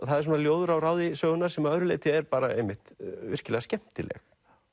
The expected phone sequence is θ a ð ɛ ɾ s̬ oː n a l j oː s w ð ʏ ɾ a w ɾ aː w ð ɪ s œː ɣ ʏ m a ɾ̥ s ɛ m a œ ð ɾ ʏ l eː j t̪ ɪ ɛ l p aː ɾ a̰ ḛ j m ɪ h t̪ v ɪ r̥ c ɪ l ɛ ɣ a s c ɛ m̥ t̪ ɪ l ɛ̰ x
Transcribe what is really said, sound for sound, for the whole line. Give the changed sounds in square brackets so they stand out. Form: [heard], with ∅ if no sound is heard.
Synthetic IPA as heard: θ a ð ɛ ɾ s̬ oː n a l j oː [∅] w ð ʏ ɾ a w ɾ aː w ð ɪ s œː ɣ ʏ [n] a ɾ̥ s ɛ m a œ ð ɾ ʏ l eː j t̪ ɪ ɛ [ɾ] p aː ɾ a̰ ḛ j m ɪ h t̪ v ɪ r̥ c ɪ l ɛ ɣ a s c ɛ m̥ t̪ ɪ l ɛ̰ x

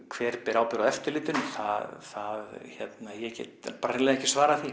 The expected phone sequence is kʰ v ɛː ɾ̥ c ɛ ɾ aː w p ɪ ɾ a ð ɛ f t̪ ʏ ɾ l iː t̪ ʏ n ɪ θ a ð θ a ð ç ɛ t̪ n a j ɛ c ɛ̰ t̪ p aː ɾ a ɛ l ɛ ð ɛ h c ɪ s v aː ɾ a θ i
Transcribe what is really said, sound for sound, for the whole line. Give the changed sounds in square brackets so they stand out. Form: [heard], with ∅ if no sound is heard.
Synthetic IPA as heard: kʰ v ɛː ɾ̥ [p] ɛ ɾ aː w p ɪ ɾ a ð ɛ f t̪ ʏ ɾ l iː t̪ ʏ n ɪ θ a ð θ a ð ç ɛ t̪ n a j ɛ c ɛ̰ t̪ p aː ɾ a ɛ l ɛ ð ɛ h c ɪ s v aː ɾ a θ i

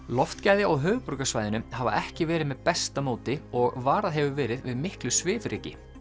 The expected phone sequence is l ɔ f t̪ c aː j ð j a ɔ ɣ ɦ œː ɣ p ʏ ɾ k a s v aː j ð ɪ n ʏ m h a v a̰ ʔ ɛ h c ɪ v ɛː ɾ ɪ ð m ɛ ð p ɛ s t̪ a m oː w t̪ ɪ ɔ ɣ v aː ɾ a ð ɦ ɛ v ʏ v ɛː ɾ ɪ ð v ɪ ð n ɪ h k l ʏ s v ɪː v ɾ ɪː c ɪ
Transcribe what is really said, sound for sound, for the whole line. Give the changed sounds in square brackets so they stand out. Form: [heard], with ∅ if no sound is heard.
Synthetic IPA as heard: l ɔ f t̪ c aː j ð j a ɔ ɣ ɦ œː ɣ p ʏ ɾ k a s v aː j ð ɪ n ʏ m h a v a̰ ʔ ɛ h c ɪ v ɛː ɾ ɪ ð m ɛ ð p ɛ s t̪ a m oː w t̪ ɪ ɔ ɣ v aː ɾ a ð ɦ ɛ v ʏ v ɛː ɾ ɪ ð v ɪ ð [m] ɪ h k l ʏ s v ɪː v ɾ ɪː c ɪ

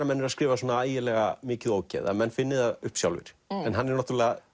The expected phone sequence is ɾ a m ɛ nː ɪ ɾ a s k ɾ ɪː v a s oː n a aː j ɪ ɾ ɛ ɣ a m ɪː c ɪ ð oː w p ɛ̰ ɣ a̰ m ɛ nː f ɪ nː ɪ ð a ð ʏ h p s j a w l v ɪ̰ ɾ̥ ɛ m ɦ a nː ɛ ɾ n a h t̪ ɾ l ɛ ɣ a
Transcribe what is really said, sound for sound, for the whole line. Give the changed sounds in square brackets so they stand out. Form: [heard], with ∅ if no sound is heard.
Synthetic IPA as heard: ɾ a m ɛ nː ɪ ɾ a s k ɾ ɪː v a s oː n a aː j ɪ [l] ɛ ɣ a m ɪː c ɪ ð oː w [c] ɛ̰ [ð] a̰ m ɛ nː f ɪ nː ɪ ð a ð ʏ h p s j a w l v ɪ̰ ɾ̥ ɛ [n] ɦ a nː ɛ ɾ n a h t̪ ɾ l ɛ ɣ a

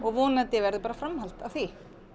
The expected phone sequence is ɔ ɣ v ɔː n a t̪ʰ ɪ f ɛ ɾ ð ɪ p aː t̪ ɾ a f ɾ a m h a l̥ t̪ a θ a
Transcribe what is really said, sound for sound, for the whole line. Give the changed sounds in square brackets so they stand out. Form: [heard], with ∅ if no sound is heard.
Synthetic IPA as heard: ɔ ɣ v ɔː n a [t̪] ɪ [v] ɛ ɾ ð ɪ p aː [∅] ɾ a f ɾ a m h a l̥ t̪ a θ [i]

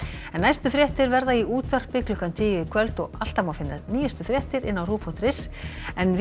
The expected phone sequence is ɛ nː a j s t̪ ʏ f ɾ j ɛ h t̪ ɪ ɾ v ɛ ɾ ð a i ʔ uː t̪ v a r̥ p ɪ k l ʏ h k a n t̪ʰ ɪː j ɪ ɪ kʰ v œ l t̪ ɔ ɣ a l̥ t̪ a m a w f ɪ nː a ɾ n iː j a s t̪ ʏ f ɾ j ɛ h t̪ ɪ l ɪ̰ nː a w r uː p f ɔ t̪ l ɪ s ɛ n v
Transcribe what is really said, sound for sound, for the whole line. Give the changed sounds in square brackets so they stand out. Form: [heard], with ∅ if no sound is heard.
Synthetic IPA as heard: ɛ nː a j s t̪ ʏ f ɾ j ɛ h t̪ ɪ ɾ v ɛ ɾ ð a i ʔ uː t̪ v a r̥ p ɪ k l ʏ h k a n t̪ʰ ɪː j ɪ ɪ kʰ v œ l t̪ ɔ ɣ a l̥ t̪ a m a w f ɪ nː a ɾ n iː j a s t̪ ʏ f ɾ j ɛ h t̪ ɪ [ɾ] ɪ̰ nː a w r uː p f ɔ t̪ [ɾ] ɪ s ɛ n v

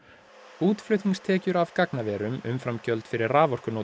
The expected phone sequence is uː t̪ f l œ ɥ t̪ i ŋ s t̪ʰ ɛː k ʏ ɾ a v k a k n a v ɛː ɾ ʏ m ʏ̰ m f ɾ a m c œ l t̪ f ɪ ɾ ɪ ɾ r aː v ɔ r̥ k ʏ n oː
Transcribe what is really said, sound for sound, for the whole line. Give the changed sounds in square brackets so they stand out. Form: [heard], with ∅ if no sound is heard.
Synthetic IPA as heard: uː t̪ f l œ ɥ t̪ i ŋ s t̪ʰ ɛː [c] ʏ ɾ a v k a k n a v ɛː ɾ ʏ m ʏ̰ m f ɾ a m c œ l t̪ f ɪ ɾ ɪ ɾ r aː v ɔ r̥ k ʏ n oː

